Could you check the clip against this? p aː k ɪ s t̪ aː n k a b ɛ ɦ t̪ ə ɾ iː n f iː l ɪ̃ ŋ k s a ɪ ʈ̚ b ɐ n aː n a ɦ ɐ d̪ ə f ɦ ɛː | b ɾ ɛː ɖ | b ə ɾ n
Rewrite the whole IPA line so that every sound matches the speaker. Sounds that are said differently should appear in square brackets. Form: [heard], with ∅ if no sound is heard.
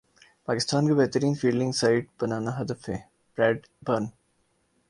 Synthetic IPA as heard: p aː k ɪ s t̪ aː n k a b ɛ ɦ t̪ ə ɾ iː n f iː l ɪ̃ ŋ [ɡ] s a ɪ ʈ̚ b ɐ n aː n a ɦ ɐ d̪ ə f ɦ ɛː | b ɾ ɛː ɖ | b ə ɾ n